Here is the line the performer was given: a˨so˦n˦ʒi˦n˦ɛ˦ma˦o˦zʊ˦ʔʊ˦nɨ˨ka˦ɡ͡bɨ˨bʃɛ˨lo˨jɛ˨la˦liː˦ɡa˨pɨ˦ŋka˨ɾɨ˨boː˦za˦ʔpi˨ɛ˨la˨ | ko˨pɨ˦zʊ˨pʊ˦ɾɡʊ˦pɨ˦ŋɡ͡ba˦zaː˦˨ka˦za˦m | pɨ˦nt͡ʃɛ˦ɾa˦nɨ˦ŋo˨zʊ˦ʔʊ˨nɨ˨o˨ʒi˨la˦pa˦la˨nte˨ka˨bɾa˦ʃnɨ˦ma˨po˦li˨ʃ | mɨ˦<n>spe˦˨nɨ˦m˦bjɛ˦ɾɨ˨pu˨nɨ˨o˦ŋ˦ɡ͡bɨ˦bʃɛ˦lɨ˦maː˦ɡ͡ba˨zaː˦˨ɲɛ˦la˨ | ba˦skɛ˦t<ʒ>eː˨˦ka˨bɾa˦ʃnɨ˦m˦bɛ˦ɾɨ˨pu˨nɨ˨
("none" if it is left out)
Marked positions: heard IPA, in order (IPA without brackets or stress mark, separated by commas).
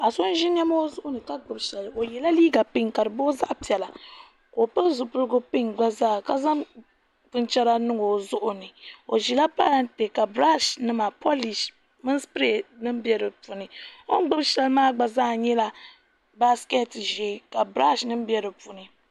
n, ʒ